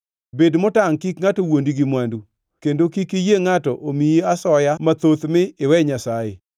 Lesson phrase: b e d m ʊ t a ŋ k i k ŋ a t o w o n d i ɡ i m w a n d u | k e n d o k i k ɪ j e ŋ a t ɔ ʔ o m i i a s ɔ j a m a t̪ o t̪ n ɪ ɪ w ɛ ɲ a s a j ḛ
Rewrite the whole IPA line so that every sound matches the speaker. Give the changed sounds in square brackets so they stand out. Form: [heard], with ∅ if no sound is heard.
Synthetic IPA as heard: b e d m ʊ t a ŋ k i k ŋ a t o w o n d i ɡ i m w a n d u | k e n d o k i k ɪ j e ŋ a t ɔ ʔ o m i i a s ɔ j a m a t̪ o t̪ [m] ɪ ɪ w ɛ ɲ a s a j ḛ